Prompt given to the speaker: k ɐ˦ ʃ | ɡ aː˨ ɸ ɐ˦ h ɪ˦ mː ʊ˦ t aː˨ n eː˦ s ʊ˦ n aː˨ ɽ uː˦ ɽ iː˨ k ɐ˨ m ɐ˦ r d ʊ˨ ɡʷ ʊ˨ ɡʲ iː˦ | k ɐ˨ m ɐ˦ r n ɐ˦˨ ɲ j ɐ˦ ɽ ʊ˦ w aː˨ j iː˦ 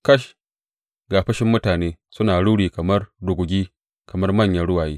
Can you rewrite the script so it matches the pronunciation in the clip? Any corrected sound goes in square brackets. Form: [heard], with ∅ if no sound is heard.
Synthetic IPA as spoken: k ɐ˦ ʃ | ɡ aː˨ ɸ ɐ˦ [ʃ] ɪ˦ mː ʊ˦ t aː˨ n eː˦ s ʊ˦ n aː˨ ɽ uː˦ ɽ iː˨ k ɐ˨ m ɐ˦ r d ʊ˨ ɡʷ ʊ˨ ɡʲ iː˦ | k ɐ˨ m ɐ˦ r [m] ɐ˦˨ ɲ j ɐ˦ ɽ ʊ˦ w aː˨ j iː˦